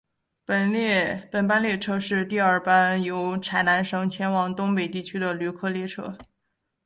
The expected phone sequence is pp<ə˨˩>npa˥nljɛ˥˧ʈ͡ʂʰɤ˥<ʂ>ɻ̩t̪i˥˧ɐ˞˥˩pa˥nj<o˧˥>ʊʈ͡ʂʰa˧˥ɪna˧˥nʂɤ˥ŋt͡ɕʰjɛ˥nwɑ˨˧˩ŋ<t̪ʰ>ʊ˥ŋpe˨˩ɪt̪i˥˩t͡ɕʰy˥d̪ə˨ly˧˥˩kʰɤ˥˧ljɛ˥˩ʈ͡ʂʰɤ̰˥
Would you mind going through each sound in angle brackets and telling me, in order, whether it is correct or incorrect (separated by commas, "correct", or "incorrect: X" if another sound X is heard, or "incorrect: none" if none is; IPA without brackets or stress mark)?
correct, correct, correct, incorrect: t̪